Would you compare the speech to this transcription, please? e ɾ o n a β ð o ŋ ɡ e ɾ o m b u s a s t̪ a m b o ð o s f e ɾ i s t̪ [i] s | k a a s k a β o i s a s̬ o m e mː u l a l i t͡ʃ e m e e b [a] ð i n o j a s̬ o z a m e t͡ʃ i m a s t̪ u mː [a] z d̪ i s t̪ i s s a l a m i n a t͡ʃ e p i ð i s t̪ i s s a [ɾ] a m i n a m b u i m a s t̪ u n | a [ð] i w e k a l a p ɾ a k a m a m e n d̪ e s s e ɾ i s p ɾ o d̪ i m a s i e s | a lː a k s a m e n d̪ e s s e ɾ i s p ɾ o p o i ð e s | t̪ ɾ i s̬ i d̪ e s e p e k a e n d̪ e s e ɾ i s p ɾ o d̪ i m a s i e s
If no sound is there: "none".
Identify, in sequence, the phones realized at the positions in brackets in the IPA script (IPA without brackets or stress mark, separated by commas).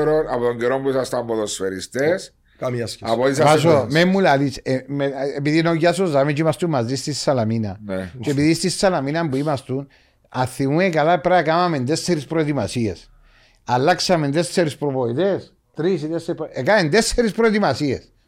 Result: e, i, a, l, θ